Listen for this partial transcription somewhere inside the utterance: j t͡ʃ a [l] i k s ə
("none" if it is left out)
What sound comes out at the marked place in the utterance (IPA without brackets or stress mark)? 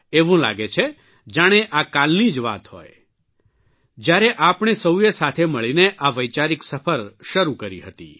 ɾ